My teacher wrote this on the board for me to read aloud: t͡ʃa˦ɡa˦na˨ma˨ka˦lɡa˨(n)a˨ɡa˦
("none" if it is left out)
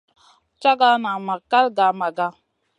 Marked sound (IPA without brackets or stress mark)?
m